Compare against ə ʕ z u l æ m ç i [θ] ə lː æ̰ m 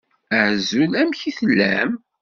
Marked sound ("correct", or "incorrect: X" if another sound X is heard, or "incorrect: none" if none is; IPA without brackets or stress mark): correct